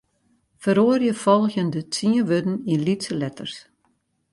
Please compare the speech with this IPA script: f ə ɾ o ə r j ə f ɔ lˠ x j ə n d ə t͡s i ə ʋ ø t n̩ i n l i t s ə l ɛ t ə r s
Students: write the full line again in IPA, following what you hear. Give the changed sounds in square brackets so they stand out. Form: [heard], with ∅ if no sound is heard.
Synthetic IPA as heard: f ə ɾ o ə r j ə f ɔ lˠ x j ə n d ə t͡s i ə ʋ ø [d] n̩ i n l i t s ə l ɛ t ə r s